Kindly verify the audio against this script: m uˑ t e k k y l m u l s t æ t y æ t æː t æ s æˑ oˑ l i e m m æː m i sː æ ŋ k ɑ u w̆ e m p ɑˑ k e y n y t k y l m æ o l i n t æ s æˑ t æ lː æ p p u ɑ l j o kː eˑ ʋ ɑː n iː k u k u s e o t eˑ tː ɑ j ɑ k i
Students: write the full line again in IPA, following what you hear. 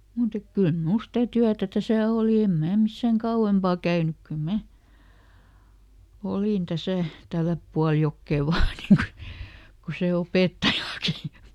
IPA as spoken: m uˑ t e k k y l m u l s t æ t y æ t æ t æ s æˑ oˑ l i e m m æː m i sː æ ŋ k ɑ u w̆ e m p ɑˑ k æ y n y k k y l m æ o l i n t æ s æˑ t æ lː æ p p u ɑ l j o kː eˑ ʋ ɑː n iː k u k u s e o p eˑ tː ɑ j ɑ k i